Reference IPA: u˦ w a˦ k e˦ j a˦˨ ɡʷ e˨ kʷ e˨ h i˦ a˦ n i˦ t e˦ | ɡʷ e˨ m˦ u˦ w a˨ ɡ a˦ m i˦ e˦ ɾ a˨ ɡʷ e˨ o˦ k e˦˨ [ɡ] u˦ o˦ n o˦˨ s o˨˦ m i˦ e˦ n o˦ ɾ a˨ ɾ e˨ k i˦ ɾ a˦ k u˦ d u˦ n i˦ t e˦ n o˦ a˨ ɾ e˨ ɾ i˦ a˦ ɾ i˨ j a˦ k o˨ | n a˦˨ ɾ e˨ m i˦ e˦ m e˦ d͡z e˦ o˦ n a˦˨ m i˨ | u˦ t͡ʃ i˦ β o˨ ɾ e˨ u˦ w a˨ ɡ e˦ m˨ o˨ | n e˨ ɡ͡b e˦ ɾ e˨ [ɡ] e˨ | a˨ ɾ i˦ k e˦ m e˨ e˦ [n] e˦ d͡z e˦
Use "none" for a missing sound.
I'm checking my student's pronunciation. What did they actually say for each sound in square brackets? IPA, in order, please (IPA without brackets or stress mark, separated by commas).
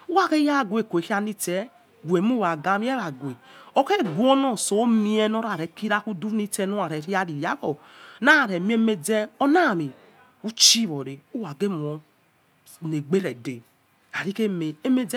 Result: ɡ, d, m